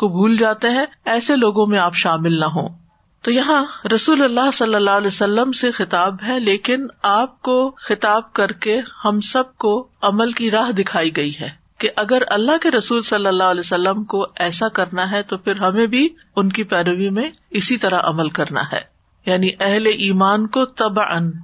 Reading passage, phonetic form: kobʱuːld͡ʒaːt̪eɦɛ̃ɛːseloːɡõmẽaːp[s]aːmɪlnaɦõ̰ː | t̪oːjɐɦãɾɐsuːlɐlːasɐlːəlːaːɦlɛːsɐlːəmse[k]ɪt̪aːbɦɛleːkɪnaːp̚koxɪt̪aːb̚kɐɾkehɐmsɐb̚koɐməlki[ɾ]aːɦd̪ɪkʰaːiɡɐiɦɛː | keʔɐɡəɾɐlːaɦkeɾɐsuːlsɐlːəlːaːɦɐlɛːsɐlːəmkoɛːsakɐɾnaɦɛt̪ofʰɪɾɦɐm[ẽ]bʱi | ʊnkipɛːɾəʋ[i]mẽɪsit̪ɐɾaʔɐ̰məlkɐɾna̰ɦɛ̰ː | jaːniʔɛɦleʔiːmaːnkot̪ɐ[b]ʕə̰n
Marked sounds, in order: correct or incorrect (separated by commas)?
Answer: incorrect, incorrect, correct, correct, correct, correct